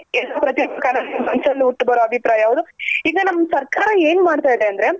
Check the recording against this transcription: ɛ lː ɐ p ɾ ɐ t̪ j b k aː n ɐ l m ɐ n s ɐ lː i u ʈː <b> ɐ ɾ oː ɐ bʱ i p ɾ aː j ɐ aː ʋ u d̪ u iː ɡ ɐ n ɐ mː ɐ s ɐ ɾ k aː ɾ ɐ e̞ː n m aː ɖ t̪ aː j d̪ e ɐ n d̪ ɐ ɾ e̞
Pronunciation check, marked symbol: correct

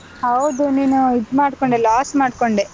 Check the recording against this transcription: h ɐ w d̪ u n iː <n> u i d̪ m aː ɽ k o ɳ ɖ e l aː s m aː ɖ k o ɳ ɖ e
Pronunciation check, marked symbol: correct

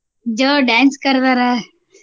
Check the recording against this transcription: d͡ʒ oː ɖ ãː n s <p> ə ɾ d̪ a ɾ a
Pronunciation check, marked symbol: incorrect: k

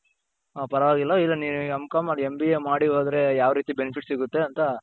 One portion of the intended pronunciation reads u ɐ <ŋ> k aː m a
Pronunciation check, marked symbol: incorrect: m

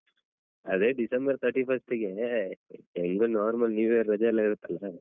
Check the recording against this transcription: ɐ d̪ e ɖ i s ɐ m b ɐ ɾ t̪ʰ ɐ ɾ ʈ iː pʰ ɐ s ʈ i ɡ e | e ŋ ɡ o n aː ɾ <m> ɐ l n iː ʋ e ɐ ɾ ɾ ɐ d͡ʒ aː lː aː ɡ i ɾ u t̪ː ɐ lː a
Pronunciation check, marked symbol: correct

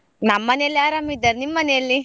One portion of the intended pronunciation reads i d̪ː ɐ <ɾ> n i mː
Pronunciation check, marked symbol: correct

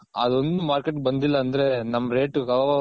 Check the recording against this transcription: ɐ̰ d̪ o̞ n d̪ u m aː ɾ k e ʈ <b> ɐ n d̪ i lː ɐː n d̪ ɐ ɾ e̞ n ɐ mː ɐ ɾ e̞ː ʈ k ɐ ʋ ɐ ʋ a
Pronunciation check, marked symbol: correct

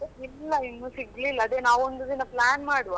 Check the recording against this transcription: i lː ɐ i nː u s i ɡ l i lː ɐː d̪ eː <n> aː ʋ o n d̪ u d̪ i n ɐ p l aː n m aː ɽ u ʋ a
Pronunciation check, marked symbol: correct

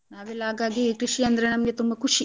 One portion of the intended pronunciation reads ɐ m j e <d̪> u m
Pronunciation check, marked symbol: incorrect: t̪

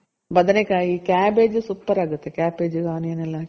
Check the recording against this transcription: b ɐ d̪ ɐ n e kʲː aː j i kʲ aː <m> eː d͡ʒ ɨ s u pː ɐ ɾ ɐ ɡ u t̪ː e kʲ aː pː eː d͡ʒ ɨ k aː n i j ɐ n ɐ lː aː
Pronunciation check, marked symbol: incorrect: b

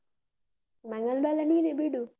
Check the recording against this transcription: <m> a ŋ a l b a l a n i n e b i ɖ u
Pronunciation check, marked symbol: correct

